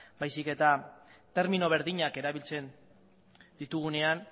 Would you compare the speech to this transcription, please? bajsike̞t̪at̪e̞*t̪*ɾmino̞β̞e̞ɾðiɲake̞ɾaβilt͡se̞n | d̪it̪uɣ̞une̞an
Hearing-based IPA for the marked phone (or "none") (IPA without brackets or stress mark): none